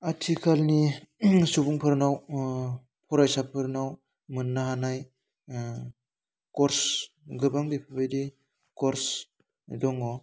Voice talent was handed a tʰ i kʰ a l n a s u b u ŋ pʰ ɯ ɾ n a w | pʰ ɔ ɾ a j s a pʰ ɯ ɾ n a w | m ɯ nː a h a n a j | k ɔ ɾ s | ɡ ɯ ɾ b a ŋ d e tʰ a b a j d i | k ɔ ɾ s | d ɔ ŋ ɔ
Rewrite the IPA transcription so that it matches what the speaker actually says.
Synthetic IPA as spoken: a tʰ i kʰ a l n i s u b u ŋ pʰ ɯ ɾ n a w | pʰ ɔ ɾ a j s a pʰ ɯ ɾ n a w | m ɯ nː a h a n a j | k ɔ ɾ s | ɡ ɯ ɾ b a ŋ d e pʰ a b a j d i | k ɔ ɾ s | d ɔ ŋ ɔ